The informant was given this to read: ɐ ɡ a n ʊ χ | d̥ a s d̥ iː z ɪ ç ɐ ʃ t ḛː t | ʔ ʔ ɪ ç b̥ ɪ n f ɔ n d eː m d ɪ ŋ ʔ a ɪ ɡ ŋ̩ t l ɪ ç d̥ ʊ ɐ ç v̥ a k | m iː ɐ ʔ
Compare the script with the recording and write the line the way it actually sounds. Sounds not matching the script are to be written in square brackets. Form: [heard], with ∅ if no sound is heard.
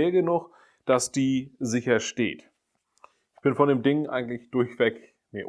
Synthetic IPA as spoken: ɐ ɡ [ə] n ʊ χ | d̥ a s d̥ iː z ɪ ç ɐ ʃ t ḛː t | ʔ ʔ ɪ ç b̥ ɪ n f ɔ n d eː m d ɪ ŋ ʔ a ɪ ɡ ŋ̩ t l ɪ ç d̥ ʊ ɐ ç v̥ [ɛ] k | m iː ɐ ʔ